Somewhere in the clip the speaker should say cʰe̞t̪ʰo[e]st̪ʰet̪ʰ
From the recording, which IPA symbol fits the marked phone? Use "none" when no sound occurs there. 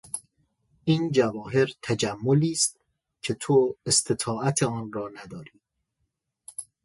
e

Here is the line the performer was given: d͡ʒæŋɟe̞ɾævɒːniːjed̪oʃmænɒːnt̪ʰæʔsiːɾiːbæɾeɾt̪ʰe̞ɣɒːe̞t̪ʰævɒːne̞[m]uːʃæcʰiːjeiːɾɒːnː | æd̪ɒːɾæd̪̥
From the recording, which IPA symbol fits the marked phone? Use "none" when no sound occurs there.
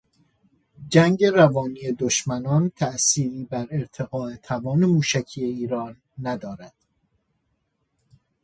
m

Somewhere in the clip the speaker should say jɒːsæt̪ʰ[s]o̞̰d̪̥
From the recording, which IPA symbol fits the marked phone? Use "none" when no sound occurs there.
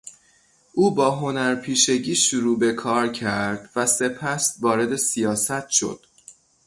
ʃ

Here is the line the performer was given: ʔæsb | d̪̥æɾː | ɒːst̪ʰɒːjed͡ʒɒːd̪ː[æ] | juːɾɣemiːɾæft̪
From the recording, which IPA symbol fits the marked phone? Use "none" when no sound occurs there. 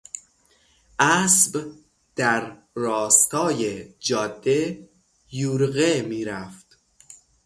e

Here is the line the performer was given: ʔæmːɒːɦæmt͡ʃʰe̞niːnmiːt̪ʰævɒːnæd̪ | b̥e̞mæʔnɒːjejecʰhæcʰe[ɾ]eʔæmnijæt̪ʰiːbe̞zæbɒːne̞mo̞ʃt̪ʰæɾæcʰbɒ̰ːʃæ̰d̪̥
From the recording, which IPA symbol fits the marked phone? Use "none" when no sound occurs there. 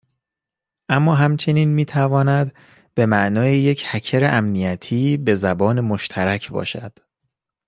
ɾ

